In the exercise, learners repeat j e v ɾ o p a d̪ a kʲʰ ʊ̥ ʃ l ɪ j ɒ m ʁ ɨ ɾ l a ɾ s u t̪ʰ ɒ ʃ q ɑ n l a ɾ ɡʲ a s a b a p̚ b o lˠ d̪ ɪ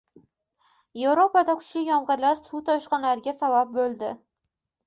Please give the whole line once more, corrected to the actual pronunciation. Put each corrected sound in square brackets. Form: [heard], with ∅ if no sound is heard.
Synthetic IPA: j e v ɾ o p a d̪ a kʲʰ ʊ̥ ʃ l ɪ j ɒ m ʁ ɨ ɾ l a ɾ s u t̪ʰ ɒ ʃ q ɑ n l a ɾ ɡʲ a s a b a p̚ b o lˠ d̪ ɪ

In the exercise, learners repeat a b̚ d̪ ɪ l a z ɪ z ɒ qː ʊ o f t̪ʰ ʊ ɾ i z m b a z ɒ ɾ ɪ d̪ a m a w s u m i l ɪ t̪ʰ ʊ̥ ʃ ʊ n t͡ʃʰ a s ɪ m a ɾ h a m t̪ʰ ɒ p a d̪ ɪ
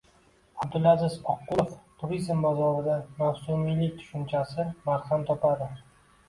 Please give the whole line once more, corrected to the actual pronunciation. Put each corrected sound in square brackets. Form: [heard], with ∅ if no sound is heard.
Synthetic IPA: a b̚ d̪ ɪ l a z ɪ z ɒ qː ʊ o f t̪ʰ ʊ ɾ i z m b a z ɒ ɾ ɪ d̪ a m a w s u m i l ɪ t̪ʰ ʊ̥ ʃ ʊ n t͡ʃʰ a s ɪ m a ɾ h a m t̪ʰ ɒ p a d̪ ɪ

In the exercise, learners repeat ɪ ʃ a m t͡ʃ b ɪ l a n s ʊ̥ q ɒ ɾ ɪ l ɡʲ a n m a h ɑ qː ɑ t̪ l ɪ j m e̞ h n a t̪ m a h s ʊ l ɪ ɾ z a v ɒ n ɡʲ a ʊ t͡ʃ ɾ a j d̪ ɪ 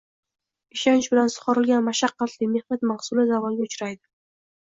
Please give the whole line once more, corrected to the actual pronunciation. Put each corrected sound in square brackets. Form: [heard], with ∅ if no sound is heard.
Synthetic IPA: ɪ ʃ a [n] t͡ʃ b ɪ l a n s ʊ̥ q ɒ ɾ ɪ l ɡʲ a n m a [ʃ] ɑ qː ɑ t̪ l ɪ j m e̞ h n a t̪ m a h s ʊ l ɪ [∅] z a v ɒ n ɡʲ a ʊ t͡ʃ ɾ a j d̪ ɪ

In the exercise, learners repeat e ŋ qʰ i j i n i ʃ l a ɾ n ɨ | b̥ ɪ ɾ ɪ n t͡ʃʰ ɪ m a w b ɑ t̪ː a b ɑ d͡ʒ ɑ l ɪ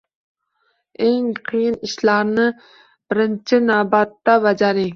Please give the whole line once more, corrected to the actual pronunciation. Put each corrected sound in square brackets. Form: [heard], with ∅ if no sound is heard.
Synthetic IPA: e ŋ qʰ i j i n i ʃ l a ɾ n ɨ | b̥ ɪ ɾ ɪ n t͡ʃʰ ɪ [n] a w b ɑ t̪ː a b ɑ d͡ʒ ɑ [ɾ] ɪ

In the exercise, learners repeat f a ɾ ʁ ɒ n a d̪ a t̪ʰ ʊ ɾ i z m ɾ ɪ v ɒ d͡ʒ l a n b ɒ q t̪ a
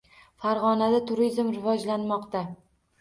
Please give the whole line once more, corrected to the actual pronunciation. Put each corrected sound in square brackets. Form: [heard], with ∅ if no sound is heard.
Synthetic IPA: f a ɾ ʁ ɒ n a d̪ a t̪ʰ ʊ ɾ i z m ɾ ɪ v ɒ d͡ʒ l a n [m] ɒ q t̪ a

